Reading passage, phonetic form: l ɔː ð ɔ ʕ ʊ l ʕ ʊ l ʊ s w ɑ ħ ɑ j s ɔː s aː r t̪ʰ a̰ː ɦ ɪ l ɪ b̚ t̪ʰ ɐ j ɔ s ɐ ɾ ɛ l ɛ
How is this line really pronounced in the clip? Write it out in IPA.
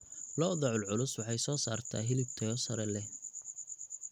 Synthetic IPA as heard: l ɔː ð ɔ ʕ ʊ l ʕ ʊ l ʊ s w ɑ ħ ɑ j s ɔː s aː r t̪ʰ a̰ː ɦ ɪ l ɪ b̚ t̪ʰ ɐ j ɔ s ɐ ɾ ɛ l ɛ